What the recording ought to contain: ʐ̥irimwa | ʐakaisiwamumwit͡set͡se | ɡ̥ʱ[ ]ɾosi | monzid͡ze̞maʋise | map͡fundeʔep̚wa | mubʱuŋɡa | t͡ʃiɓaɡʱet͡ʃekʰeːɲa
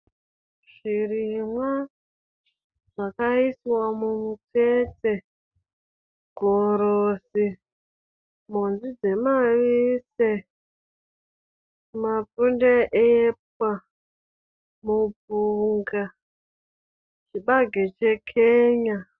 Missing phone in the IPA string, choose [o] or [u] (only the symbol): o